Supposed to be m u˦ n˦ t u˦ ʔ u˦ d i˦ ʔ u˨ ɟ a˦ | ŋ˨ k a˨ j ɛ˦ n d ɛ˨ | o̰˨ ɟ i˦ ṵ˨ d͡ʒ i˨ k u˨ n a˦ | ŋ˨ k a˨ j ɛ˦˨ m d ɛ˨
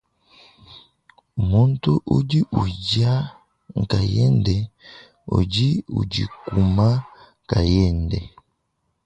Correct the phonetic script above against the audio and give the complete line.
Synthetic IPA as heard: m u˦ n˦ t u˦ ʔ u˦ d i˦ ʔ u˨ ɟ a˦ | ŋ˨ k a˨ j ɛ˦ n d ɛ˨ | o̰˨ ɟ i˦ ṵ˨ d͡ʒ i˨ k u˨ m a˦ | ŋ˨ k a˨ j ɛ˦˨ n d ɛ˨